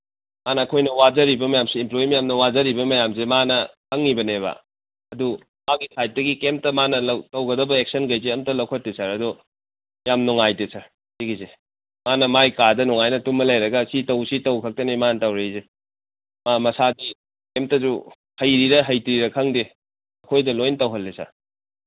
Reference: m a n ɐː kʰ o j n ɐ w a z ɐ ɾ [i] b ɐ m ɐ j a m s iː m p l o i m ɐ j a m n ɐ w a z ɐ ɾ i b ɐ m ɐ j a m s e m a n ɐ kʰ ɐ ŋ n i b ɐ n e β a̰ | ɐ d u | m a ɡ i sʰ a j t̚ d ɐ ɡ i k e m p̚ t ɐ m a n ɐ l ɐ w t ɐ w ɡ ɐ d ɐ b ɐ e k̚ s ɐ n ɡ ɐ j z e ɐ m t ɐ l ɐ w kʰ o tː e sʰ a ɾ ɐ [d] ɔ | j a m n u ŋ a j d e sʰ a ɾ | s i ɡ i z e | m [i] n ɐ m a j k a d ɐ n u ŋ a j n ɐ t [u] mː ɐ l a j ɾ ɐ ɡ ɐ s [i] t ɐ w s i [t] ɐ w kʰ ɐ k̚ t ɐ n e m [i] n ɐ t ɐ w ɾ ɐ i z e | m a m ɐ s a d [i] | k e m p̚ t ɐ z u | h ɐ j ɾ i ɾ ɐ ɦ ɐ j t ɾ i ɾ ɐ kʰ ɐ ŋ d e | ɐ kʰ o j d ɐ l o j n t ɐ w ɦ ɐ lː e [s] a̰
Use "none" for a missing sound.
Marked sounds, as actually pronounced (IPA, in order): i, d, a, u, i, t, a, i, s

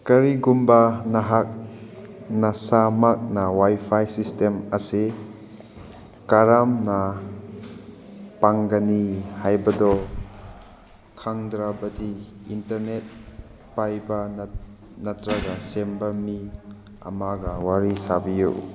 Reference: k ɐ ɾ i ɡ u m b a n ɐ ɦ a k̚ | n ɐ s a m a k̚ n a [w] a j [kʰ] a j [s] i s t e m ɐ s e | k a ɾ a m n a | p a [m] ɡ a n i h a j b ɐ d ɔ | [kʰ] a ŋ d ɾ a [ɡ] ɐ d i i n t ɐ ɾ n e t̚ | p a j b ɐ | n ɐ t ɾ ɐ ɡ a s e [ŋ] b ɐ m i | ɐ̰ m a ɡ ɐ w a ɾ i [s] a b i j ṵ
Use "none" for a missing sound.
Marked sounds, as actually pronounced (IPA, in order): w, pʰ, s, ŋ, kʰ, b, m, s

